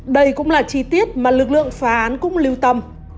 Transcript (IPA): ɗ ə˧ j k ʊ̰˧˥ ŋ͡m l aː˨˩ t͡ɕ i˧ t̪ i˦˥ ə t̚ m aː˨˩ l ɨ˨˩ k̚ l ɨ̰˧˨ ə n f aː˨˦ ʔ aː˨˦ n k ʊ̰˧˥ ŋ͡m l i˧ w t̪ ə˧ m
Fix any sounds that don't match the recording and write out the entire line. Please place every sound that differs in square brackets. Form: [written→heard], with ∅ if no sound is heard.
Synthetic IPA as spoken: ɗ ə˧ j k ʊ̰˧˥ ŋ͡m l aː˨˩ t͡ɕ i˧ t̪ i˦˥ ə t̚ m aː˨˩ l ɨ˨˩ k̚ l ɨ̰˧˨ ə [n→ŋ] f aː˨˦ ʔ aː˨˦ n k ʊ̰˧˥ ŋ͡m l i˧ w t̪ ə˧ m